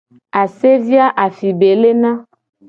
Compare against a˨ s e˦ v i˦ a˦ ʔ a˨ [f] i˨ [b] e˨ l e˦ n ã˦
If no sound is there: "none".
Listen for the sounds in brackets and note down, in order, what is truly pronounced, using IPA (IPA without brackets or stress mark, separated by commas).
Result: f, b